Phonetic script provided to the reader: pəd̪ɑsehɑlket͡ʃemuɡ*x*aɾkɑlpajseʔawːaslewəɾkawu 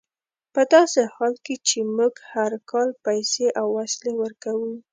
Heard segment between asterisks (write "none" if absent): h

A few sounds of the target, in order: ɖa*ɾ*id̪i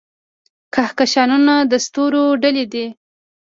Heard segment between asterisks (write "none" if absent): l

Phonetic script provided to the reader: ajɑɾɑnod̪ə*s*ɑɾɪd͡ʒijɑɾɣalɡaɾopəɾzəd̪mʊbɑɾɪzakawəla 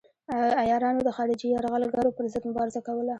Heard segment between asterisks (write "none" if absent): x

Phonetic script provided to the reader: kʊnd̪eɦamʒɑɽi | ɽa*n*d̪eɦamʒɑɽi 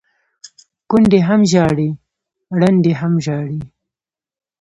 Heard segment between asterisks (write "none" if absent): n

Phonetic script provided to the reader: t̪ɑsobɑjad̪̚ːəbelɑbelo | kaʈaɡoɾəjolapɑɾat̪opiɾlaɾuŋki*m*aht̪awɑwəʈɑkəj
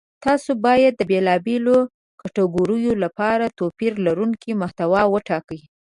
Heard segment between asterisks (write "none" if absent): m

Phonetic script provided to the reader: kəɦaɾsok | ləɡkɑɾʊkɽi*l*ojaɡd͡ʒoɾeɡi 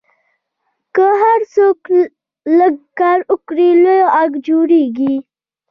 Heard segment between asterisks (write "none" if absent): l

